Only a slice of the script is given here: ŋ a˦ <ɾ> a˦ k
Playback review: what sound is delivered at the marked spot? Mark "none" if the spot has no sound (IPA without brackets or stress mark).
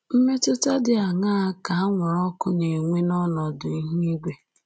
none